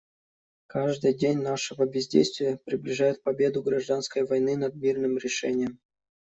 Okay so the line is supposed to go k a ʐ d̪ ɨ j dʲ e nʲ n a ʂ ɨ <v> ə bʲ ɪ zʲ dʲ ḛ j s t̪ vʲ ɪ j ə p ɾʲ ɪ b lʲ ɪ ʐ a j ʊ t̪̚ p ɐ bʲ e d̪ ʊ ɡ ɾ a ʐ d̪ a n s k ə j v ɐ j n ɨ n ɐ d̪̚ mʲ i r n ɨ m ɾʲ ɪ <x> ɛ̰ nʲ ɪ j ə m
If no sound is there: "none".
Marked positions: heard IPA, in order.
v, ʂ

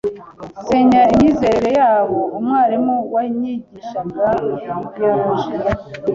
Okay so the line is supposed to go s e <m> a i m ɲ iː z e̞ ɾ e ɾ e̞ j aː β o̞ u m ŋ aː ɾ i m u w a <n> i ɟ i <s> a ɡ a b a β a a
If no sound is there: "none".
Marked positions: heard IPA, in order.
ɲ, ɲ, ʃ

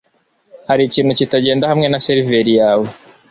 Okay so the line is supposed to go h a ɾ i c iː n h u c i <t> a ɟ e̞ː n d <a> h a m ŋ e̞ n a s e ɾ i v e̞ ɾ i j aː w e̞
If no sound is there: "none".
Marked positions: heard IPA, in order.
t, a

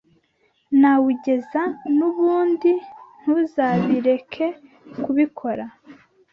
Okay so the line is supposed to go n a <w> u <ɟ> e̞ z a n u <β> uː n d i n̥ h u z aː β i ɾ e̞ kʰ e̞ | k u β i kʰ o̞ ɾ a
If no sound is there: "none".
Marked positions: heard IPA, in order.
w, ɟ, β

